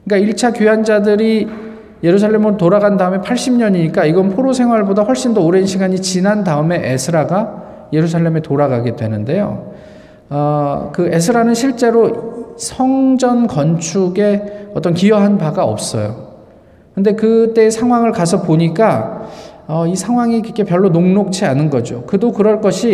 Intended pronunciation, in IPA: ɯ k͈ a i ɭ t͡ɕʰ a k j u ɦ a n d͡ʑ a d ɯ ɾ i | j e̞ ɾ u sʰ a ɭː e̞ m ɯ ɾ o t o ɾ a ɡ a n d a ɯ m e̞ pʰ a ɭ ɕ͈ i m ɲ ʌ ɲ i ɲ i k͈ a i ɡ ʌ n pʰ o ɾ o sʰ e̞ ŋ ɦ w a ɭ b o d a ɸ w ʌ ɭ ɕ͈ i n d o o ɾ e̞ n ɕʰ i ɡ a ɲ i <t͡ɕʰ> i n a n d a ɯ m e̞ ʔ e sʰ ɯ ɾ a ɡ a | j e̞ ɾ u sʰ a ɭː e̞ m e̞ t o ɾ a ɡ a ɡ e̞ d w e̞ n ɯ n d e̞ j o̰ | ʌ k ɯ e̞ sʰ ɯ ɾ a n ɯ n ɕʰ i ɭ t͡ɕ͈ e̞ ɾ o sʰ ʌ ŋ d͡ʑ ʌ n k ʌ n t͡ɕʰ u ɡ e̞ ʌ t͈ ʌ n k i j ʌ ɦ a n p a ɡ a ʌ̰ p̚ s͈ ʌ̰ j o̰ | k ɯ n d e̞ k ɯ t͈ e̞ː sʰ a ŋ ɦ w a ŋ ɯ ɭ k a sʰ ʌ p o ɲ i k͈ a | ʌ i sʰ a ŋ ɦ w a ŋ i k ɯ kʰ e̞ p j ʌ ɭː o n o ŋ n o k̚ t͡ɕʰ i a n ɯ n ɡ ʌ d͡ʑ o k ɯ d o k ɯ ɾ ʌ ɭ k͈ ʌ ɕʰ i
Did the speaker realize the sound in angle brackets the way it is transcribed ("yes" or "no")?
no